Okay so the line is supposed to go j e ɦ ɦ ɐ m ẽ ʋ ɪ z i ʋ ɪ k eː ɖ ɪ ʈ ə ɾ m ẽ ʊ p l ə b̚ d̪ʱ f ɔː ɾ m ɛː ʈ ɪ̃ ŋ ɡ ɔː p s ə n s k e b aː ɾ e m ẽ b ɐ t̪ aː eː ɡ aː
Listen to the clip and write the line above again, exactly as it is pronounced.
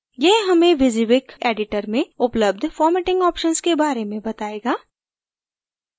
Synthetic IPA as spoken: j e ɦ ɦ ɐ m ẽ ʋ ɪ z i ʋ ɪ k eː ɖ ɪ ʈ ə ɾ m ẽ ʊ p l ə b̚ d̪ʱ f ɔː ɾ m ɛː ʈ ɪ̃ ŋ ɡ ɔː p ʃ ə n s k e b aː ɾ e m ẽ b ɐ t̪ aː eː ɡ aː